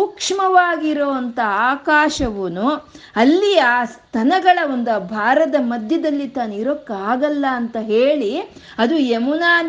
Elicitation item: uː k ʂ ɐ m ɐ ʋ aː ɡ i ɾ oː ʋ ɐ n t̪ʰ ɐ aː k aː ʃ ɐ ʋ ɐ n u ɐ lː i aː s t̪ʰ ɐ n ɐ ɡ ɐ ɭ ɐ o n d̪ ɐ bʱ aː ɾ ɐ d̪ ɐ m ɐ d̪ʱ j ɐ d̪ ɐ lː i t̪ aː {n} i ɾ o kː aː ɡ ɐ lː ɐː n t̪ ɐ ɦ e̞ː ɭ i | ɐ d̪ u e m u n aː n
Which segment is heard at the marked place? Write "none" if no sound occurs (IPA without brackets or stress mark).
n